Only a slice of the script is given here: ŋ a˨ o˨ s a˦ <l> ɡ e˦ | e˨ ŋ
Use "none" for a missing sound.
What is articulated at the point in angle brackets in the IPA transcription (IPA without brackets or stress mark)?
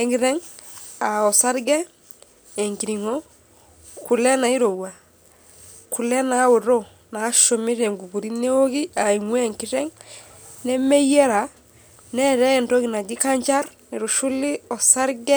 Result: ɾ